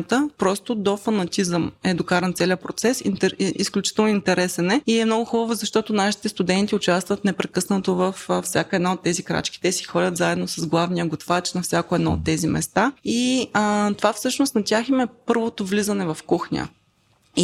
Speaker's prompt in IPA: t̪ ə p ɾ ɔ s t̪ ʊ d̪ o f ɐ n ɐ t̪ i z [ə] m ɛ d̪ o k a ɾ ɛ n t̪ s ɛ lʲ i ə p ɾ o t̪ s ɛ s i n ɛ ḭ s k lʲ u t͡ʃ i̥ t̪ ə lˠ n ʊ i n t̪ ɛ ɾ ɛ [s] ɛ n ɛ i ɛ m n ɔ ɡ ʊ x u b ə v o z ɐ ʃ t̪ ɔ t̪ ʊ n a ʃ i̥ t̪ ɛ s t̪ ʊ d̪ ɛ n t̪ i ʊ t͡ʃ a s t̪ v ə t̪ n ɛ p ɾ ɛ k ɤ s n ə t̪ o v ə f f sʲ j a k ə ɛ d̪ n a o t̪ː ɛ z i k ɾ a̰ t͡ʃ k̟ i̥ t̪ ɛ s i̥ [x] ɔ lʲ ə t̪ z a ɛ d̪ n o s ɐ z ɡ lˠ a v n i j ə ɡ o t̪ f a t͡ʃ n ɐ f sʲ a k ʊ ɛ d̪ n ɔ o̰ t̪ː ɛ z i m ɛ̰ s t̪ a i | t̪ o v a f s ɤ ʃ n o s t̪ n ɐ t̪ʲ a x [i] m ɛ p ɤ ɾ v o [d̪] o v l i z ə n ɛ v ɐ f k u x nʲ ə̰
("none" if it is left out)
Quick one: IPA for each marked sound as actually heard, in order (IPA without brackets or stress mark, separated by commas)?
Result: ə, s, x, i, t̪